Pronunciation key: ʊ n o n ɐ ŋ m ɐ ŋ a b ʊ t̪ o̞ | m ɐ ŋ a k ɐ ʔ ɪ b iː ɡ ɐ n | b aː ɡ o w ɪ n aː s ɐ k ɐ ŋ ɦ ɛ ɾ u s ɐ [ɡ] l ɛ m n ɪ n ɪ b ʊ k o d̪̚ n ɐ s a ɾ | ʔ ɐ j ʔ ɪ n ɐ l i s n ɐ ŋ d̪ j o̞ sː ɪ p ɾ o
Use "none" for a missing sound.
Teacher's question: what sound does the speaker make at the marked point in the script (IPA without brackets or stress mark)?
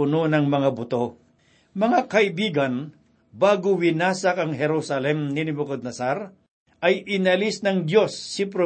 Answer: none